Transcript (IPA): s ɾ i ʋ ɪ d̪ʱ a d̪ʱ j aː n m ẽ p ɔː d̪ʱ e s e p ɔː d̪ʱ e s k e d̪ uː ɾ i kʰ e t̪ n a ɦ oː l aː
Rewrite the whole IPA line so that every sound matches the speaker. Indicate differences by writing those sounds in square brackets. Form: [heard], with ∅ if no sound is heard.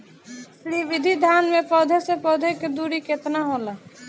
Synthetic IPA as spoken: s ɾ i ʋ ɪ d̪ʱ [i] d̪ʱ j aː n m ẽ p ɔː d̪ʱ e s e p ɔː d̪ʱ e [∅] k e d̪ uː ɾ i [k] e t̪ n a ɦ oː l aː